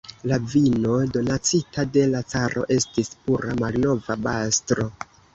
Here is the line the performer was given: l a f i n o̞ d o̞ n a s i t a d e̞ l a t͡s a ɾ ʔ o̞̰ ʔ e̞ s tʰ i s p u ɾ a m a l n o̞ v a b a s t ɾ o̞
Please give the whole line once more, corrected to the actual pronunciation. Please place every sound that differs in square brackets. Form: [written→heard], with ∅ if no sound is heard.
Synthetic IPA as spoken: l a [f→v] i n o̞ d o̞ n a [s→t͡s] i t a d e̞ l a t͡s a ɾ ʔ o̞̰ ʔ e̞ s [tʰ→t] i s p u ɾ a m a l n o̞ v a b a s t ɾ o̞